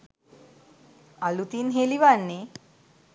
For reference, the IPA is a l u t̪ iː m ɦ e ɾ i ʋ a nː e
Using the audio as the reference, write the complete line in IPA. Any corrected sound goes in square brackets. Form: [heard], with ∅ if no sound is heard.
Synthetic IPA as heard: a l u t̪ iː [n] ɦ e [l] i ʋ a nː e